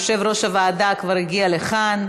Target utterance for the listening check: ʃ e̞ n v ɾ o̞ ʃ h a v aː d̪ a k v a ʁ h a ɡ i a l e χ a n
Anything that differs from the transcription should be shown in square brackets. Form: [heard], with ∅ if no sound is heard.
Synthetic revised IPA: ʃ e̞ [∅] v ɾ o̞ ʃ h a v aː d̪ a k v a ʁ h [i] ɡ i a l e χ a n